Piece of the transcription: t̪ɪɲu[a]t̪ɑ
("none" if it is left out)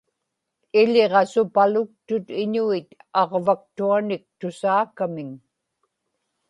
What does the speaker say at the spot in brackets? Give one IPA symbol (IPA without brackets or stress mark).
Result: i